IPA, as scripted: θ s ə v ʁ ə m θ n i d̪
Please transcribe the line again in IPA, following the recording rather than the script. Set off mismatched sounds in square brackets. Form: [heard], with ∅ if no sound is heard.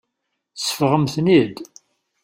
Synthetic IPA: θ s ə [f] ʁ ə m θ n i d̪

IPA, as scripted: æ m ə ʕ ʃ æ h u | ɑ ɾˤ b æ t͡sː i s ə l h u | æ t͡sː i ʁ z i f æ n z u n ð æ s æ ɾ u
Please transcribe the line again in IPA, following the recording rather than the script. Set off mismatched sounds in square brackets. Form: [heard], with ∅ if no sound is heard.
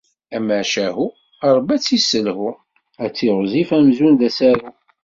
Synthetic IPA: æ m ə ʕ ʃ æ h u | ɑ ɾˤ b æ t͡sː i s ə l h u | æ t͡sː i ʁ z i f æ [m] z u n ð æ s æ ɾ u

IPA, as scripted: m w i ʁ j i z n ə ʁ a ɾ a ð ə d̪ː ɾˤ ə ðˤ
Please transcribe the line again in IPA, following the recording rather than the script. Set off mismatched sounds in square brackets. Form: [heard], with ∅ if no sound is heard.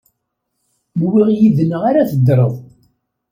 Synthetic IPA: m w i ʁ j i [ð] n ə ʁ a ɾ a [θ] ə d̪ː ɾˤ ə ðˤ

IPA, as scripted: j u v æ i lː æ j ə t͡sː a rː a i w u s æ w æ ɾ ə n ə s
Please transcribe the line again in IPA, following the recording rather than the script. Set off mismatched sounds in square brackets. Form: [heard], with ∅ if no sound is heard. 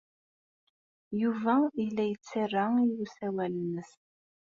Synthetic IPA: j u v æ i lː æ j ə t͡sː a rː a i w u s æ w æ [l] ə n ə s

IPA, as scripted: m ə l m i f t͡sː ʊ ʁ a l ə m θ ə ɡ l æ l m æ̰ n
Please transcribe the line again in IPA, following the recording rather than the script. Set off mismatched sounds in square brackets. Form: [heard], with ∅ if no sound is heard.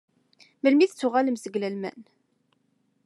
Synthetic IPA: m ə l m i [θ] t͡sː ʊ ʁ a l ə m [s] ə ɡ l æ l m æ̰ n

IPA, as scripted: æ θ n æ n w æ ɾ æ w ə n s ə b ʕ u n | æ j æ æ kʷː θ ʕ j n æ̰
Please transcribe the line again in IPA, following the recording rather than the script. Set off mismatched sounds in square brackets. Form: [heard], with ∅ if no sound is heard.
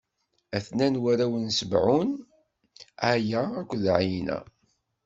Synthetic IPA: æ θ n æ n w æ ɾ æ w ə n s ə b ʕ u n | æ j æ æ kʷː [ð] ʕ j n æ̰

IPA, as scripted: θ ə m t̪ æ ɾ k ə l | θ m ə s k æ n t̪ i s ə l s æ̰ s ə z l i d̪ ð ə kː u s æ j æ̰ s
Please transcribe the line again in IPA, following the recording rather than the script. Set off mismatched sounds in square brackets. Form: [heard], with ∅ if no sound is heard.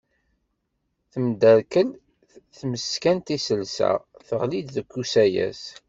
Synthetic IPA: θ ə m [d̪] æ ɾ k ə l | θ m ə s k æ n t̪ i s ə l s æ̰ [θ] ə [ʁ] l i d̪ ð ə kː u s æ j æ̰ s

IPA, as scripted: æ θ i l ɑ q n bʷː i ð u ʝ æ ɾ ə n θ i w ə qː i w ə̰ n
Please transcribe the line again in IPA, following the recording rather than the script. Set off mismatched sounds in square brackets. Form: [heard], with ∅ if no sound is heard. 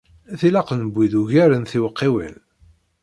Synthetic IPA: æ θ i l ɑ q n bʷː i ð u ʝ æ ɾ ə n θ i w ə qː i w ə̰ n

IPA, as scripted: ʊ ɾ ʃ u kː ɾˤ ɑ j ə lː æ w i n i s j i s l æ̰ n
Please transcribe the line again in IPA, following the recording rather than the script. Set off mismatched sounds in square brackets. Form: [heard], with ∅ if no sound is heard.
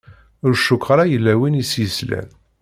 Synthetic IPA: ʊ ɾ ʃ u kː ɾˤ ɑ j ə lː æ w i n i s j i s l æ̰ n

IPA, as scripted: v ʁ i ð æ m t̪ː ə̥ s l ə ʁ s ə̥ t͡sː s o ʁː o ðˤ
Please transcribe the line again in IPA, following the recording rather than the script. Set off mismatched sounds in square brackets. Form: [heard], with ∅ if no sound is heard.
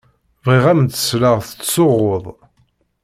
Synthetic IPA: v ʁ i [ʁ] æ m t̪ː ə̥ s l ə ʁ [θ] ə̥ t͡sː s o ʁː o ðˤ

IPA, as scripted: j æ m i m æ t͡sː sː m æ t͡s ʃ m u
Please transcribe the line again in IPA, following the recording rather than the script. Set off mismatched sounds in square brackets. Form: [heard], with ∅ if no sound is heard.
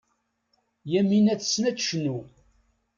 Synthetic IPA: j æ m i [n] æ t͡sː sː [n] æ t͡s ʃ [n] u

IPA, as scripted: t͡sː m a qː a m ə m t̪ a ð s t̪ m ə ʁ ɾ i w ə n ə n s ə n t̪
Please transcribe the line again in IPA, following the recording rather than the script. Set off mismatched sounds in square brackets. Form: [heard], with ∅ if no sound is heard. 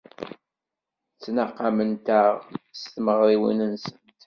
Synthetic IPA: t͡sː [n] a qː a m ə [n] t̪ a [ʁ] s t̪ m ə ʁ ɾ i w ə n ə n s ə n t̪

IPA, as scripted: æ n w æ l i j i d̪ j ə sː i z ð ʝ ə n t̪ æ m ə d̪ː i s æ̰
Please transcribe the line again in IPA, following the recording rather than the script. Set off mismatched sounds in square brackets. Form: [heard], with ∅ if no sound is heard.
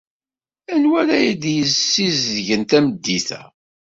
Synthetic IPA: æ n w æ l [æ] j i d̪ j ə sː i z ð ʝ ə n t̪ æ m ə d̪ː i [θ] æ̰

